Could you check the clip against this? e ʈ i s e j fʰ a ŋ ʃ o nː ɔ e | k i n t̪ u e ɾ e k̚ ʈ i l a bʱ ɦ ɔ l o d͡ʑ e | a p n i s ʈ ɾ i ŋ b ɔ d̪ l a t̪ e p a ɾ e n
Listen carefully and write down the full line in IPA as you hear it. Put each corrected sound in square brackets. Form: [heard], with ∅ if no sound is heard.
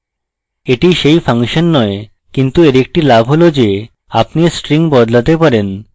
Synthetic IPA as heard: e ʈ i [ʃ] e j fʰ a ŋ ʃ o nː ɔ e | k i n t̪ u e ɾ e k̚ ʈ i l a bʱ ɦ [o] l o d͡ʑ e | a p n i s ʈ ɾ i ŋ b ɔ d̪ l a t̪ e p a ɾ e n

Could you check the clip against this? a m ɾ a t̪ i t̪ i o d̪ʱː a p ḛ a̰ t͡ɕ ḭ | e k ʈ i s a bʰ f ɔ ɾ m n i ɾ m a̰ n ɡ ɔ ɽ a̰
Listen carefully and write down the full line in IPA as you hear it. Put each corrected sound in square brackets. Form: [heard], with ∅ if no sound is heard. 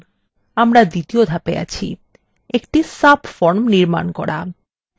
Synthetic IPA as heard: a m ɾ a [d̪] i t̪ i o [d̪ʱ] a p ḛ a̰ [t͡ɕʰ] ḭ | e k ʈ i s a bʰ f ɔ ɾ m n i ɾ m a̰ n [k] ɔ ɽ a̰

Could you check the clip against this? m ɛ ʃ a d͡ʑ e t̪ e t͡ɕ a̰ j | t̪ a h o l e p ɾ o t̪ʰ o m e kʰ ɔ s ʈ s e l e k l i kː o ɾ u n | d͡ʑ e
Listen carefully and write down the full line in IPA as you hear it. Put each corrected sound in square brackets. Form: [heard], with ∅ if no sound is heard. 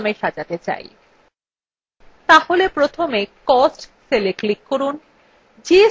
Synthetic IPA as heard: m [e] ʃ a d͡ʑ [a] t̪ e t͡ɕ a̰ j | t̪ a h o l e p ɾ o t̪ʰ o m e [k] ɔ s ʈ s e l e k l i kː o ɾ u n | d͡ʑ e

